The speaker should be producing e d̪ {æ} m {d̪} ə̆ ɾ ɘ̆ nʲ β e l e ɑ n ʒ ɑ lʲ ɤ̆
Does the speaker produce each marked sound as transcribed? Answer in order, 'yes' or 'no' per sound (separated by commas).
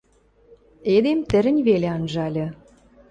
no, no